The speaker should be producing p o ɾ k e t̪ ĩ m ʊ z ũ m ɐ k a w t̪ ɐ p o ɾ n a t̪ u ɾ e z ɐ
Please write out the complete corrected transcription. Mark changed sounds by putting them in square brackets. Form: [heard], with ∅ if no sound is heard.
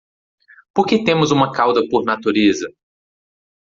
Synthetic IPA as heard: p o ɾ k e t̪ [ẽ] m ʊ z ũ m ɐ k a w [d̪] ɐ p o ɾ n a t̪ u ɾ e z ɐ